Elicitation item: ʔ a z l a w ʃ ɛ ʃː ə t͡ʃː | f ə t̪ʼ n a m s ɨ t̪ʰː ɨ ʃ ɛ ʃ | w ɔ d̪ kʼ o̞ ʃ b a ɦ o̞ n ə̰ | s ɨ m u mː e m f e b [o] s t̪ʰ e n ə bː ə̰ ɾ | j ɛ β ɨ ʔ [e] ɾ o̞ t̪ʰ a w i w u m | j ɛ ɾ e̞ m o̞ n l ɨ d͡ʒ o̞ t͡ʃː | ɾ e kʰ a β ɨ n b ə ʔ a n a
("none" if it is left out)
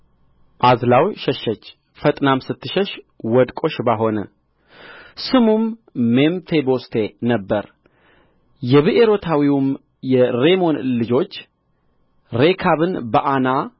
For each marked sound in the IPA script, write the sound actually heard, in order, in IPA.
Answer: o, e

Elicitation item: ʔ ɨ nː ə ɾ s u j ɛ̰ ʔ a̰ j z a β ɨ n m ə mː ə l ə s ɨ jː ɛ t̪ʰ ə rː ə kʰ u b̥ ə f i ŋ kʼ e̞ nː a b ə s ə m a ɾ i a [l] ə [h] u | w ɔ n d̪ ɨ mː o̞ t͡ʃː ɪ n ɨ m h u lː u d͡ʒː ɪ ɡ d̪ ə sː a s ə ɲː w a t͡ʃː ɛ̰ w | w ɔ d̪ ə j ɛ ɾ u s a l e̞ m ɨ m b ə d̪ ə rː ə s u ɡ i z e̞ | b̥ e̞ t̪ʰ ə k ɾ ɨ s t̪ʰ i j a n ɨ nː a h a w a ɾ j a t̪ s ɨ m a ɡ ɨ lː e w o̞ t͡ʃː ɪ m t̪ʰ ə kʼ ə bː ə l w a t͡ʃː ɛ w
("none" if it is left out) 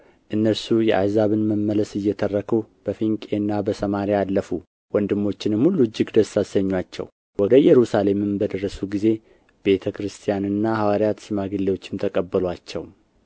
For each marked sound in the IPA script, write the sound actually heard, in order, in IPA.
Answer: lː, f

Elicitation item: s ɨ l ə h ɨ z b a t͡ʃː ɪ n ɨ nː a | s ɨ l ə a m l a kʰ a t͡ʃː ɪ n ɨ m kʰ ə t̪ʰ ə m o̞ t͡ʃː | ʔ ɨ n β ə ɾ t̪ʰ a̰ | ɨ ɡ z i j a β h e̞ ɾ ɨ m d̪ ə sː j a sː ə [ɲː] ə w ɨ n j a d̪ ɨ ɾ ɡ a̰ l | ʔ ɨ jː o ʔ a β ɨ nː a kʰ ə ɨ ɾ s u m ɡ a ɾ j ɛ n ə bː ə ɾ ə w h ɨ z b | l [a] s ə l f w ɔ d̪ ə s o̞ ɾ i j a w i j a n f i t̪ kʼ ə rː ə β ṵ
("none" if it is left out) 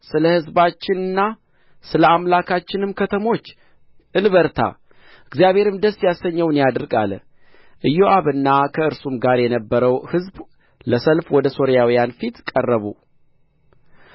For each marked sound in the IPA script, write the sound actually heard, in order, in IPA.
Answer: ɲː, ə

